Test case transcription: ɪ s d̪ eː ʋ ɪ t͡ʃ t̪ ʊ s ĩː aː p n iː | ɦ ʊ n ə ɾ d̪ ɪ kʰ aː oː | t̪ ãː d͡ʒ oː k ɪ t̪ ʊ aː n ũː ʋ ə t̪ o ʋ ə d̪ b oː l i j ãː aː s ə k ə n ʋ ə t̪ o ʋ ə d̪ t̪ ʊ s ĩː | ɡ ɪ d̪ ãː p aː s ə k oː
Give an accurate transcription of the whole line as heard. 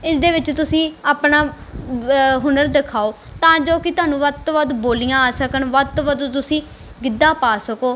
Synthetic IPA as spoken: ɪ s d̪ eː ʋ ɪ t͡ʃ t̪ ʊ s ĩː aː p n aː | ɦ ʊ n ə ɾ d̪ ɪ kʰ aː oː | t̪ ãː d͡ʒ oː k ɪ t̪ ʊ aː n ũː ʋ ə t̪ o ʋ ə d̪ b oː l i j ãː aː s ə k ə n ʋ ə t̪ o ʋ ə d̪ t̪ ʊ s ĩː | ɡ ɪ d̪ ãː p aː s ə k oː